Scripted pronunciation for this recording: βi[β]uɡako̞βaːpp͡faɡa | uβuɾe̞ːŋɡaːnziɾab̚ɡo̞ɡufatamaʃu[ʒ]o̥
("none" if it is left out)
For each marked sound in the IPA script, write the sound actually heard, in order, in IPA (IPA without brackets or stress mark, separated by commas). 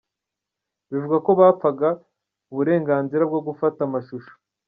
v, ʃ